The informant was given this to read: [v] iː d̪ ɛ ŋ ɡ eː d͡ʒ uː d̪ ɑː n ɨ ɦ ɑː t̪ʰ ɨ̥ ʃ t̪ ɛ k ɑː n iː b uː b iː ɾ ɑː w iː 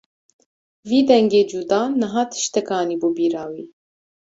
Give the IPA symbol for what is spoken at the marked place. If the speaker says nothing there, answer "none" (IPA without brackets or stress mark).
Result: v